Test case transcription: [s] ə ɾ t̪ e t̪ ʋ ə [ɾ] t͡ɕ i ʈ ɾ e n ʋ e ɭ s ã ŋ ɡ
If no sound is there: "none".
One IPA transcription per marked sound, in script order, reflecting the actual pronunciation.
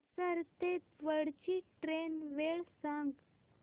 s, ɽ

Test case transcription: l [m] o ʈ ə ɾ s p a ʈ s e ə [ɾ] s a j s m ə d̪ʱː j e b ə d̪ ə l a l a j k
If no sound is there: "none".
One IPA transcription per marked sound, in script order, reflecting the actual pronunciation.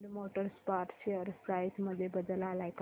m, ɾ

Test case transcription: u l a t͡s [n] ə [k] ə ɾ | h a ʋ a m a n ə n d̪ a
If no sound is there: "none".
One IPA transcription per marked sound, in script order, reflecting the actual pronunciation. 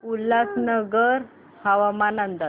n, ɡ

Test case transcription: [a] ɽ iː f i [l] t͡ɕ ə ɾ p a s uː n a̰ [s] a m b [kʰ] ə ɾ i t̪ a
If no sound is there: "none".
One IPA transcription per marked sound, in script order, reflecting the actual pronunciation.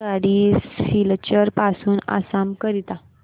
a, l, s, k

